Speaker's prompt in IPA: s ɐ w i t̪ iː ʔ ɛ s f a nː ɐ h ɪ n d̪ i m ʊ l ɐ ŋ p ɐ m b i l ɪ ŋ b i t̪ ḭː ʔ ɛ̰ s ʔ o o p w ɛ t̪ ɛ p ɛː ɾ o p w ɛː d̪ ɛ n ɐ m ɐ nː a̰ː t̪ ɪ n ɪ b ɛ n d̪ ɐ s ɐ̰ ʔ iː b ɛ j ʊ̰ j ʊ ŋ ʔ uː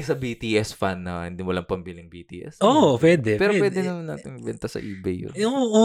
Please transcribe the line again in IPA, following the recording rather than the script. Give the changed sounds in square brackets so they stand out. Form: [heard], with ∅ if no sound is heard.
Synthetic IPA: s ɐ [b] i t̪ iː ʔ ɛ s f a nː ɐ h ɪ n d̪ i m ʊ l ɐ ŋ p ɐ m b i l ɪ ŋ b i t̪ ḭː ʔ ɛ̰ s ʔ o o p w ɛ [d̪] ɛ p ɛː ɾ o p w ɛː d̪ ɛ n ɐ m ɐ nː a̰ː t̪ ɪ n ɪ b ɛ n [t̪] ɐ s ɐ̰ ʔ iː b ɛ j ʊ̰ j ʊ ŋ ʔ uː